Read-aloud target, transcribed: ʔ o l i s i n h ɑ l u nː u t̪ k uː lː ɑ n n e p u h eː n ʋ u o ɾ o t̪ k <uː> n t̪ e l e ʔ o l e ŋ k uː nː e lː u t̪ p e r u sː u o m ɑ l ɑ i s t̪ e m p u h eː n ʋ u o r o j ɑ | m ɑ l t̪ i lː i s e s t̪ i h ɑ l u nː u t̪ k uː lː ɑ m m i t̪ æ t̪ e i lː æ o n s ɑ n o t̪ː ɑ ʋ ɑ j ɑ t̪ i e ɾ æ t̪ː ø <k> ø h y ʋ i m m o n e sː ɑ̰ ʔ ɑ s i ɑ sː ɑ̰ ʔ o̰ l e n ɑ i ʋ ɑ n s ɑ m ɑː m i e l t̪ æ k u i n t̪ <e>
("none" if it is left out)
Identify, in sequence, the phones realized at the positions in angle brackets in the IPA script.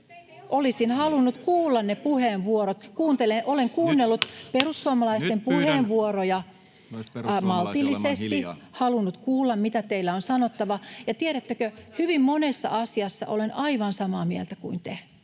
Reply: uː, k, e

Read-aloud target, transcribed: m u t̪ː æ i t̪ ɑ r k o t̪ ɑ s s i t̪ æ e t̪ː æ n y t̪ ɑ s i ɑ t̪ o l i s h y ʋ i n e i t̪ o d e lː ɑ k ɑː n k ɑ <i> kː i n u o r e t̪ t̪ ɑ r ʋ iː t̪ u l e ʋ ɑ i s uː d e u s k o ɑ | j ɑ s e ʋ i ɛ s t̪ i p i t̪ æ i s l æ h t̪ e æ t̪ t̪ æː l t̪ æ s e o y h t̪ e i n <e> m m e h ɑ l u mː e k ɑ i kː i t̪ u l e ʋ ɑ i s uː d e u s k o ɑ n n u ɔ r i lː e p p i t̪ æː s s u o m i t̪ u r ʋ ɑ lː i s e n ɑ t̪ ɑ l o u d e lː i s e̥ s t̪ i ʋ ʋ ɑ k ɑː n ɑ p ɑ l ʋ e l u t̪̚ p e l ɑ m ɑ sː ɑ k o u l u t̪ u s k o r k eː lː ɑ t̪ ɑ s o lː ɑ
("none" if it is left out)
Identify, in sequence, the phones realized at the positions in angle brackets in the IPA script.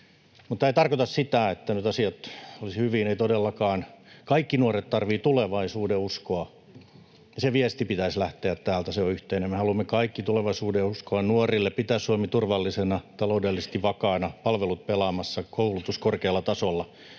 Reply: i, e

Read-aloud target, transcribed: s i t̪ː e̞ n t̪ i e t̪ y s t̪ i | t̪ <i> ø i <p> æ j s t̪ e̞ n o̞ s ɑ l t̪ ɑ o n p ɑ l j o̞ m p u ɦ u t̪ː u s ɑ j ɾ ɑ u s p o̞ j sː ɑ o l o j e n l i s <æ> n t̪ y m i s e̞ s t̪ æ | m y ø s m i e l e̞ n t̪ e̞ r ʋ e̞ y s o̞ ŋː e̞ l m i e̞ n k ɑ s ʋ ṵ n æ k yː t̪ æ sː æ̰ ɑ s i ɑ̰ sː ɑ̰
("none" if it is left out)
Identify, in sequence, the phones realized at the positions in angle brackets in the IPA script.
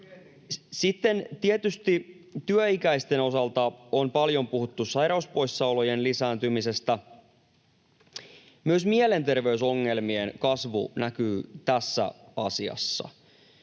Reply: y, k, æː

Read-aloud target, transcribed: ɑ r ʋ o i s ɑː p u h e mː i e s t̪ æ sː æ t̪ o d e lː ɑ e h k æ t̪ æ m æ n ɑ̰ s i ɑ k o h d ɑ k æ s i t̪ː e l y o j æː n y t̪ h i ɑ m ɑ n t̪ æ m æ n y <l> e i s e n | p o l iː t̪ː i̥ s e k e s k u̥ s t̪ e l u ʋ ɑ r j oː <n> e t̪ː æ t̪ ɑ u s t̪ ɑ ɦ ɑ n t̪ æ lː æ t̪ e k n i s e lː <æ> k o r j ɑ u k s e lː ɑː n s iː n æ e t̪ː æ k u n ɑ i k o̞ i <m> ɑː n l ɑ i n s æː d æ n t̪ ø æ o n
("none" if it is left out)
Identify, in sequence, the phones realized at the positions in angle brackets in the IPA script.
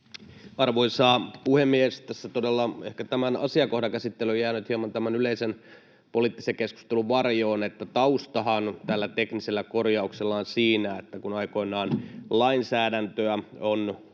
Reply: l, n, æ, n

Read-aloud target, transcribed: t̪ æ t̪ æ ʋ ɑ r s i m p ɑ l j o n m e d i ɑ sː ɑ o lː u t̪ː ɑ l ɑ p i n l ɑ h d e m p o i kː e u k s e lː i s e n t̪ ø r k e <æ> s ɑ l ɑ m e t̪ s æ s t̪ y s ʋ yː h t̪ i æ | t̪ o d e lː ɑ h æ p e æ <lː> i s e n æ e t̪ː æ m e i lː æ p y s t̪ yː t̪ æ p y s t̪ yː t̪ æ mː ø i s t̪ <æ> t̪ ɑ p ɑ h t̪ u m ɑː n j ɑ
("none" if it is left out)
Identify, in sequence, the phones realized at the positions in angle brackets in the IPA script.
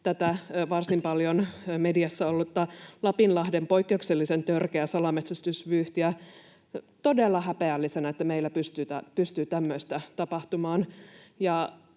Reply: æ, lː, æ

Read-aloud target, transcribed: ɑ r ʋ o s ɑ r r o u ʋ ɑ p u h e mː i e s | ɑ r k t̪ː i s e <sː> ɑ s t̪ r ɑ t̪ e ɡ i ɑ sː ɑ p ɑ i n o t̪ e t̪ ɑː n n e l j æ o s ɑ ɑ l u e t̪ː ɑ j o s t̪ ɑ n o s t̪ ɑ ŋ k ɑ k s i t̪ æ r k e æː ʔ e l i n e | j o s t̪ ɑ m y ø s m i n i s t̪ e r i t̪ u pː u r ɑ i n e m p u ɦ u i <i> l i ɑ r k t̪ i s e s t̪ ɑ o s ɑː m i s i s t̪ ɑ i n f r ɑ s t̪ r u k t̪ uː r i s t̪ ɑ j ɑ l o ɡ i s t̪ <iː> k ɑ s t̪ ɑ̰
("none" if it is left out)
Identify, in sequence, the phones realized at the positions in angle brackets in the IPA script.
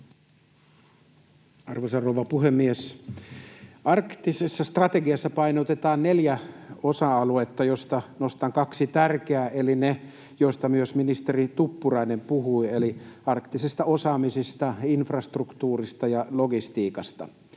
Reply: sː, e, iː

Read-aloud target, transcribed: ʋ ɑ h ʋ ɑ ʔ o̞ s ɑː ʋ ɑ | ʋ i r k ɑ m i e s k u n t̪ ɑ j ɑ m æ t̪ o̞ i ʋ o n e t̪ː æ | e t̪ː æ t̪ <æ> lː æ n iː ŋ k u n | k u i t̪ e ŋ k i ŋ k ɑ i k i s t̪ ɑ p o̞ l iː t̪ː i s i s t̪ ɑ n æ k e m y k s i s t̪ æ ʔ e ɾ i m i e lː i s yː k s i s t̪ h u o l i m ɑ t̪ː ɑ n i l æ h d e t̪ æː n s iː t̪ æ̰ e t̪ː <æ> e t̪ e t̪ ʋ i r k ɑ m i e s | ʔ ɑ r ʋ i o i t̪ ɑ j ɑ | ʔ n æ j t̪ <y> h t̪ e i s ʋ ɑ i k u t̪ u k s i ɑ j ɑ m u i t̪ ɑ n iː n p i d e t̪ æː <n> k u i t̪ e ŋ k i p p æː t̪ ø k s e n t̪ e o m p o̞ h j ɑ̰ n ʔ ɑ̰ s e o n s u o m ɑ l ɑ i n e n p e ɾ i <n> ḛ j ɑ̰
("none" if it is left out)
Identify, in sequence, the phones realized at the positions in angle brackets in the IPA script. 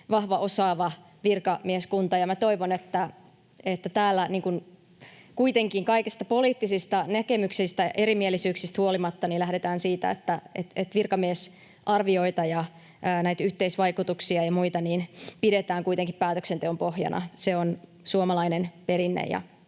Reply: æː, æ, y, ŋ, nː

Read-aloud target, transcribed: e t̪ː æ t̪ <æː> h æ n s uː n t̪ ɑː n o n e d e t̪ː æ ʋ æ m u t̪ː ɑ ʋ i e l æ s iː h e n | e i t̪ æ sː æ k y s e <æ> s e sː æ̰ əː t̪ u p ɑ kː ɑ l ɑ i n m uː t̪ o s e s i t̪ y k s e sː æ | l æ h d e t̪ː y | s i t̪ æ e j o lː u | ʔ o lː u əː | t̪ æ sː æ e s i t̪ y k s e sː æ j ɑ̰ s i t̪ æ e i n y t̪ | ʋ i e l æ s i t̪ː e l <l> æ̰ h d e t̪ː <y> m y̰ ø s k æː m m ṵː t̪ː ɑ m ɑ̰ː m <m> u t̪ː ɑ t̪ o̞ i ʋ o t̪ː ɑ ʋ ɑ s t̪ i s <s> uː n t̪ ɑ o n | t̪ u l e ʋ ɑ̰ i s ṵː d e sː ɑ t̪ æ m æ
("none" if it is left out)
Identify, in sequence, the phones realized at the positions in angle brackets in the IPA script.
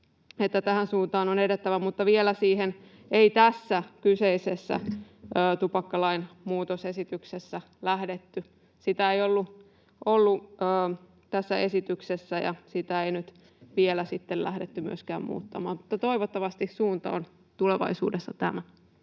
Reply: æ, i, l, y, m, s

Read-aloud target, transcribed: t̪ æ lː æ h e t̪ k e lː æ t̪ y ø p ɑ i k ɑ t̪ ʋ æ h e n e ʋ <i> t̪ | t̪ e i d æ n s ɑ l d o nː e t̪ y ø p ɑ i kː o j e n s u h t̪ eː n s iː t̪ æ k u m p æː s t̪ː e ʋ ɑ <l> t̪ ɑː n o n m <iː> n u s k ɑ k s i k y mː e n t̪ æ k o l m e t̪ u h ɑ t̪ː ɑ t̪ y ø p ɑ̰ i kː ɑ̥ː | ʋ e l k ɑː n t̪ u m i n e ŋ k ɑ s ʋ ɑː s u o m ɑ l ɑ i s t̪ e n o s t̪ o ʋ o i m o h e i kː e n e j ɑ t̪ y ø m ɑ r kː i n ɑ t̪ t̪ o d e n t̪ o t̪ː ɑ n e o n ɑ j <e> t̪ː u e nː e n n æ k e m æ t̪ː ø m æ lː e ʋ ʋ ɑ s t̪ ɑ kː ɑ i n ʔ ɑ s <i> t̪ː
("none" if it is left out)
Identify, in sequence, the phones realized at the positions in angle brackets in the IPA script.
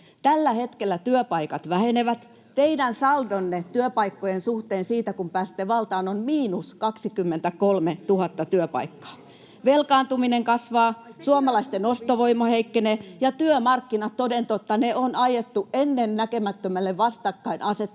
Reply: æ, l, iː, e, e

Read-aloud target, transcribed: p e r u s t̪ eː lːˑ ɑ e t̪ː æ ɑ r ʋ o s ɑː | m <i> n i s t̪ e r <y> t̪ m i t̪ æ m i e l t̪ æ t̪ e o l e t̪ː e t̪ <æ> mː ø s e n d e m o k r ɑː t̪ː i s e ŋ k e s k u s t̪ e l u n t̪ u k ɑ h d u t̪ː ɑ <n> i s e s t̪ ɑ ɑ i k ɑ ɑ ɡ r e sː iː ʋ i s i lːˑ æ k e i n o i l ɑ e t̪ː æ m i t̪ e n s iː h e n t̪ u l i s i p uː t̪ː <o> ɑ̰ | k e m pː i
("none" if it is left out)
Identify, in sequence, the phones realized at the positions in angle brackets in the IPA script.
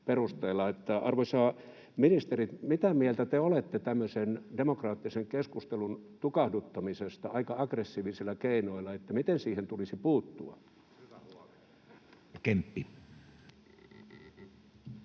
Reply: i, i, æ, m, u

